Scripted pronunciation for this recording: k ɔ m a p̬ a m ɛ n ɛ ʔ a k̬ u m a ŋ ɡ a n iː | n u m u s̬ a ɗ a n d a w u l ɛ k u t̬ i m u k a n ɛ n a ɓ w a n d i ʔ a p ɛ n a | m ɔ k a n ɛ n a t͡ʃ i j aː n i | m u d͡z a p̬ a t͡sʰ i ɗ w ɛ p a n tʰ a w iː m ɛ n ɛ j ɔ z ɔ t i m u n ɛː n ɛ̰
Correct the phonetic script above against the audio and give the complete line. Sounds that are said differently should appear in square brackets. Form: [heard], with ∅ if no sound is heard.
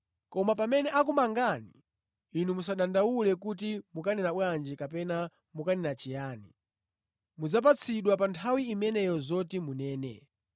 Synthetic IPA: k ɔ m a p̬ a m ɛ n ɛ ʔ a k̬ u m a ŋ ɡ a n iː | n u m u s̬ a ɗ a n d a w u l ɛ k u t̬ i m u k a n ɛ n a ɓ w a n [d͡ʒ] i [k] a p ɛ n a | m [u] k a n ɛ n a t͡ʃ i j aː n i | m u d͡z a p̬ a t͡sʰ i ɗ w [a] p a n tʰ a w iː m ɛ n ɛ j ɔ z ɔ t i m u n ɛː n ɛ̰